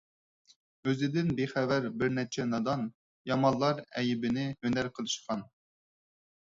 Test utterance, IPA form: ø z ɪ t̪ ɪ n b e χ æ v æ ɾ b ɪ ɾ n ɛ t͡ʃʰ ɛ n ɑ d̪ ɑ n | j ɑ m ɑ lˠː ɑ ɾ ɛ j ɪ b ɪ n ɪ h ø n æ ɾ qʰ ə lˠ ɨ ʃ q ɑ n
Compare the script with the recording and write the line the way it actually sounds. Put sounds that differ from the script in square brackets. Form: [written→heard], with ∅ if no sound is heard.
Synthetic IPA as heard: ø z ɪ [t̪→d̪] ɪ n b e χ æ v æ ɾ b ɪ ɾ n ɛ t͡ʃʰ ɛ n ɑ d̪ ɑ n | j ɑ m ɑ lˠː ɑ ɾ ɛ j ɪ b ɪ n ɪ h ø n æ ɾ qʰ ə lˠ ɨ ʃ q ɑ n

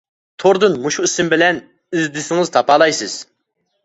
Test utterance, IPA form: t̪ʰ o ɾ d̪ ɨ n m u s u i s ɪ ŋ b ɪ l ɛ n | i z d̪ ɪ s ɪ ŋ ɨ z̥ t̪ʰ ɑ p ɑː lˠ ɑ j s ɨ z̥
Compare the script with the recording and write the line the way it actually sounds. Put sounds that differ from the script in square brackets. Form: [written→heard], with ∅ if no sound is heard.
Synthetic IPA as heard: t̪ʰ o ɾ d̪ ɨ n m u [s→ʃ] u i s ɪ [ŋ→m] b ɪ l ɛ n | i z d̪ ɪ s ɪ ŋ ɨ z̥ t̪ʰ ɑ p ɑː lˠ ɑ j s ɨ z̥

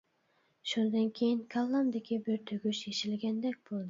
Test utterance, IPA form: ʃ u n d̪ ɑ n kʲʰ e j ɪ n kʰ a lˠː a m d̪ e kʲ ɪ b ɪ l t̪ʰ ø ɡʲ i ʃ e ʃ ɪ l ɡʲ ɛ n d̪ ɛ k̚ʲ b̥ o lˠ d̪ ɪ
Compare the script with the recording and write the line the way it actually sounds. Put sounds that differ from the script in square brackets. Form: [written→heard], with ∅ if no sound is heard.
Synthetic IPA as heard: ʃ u n d̪ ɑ n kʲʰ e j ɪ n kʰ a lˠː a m d̪ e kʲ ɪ b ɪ [l→ɾ] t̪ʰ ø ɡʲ [i→y] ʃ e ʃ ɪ l ɡʲ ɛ n d̪ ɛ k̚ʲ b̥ o lˠ d̪ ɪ

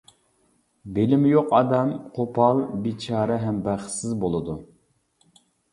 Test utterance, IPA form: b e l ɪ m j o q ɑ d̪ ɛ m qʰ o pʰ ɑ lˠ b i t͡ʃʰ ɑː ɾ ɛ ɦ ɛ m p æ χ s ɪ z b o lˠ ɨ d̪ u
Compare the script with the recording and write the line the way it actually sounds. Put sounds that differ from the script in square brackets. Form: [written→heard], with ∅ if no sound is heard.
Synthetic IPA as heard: b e l ɪ m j o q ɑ d̪ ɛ m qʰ o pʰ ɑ lˠ b i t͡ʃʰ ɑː ɾ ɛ ɦ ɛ m [p→b] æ χ s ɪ z b o lˠ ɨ d̪ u

